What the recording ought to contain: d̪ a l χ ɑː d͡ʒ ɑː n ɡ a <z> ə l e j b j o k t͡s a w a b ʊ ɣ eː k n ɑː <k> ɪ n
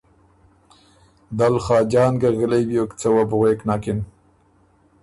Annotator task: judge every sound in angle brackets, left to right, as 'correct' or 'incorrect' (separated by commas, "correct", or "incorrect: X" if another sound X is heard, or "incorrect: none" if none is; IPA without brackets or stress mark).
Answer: incorrect: ɣ, correct